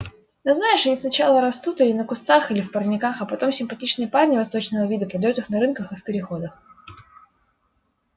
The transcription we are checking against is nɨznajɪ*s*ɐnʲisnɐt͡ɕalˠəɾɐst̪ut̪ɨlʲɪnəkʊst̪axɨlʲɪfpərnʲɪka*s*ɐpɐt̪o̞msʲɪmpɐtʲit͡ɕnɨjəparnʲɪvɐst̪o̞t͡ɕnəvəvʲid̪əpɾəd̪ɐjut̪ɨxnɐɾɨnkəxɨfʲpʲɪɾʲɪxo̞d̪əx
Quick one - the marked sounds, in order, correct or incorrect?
incorrect: ʂ, incorrect: x

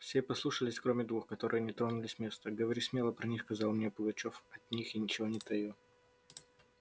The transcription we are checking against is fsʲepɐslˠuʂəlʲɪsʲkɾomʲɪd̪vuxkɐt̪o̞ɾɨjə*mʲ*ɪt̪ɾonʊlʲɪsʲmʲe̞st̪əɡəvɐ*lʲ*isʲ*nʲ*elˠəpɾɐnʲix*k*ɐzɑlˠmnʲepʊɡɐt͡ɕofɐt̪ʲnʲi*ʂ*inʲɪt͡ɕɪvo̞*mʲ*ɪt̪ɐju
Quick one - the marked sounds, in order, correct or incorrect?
incorrect: nʲ, incorrect: ɾʲ, incorrect: mʲ, correct, incorrect: x, incorrect: nʲ

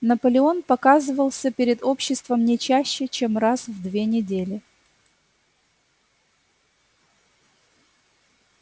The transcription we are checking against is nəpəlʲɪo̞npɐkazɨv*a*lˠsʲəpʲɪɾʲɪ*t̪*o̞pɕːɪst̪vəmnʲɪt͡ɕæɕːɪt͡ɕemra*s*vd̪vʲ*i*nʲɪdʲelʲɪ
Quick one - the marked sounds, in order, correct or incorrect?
incorrect: ə, incorrect: d̪, correct, incorrect: e

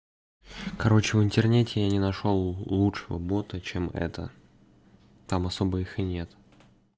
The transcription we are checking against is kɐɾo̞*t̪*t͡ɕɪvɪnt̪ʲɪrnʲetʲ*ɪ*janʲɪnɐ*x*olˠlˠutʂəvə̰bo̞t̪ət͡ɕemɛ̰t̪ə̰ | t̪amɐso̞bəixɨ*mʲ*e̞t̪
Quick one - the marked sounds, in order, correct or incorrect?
incorrect: none, correct, incorrect: ʂ, incorrect: nʲ

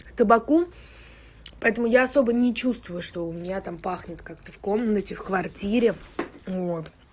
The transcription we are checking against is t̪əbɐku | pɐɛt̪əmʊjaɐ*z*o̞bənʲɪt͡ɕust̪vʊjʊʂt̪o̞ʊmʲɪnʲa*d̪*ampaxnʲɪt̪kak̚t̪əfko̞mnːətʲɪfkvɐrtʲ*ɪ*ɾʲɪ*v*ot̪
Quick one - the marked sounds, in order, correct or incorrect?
incorrect: s, incorrect: t̪, incorrect: i, correct

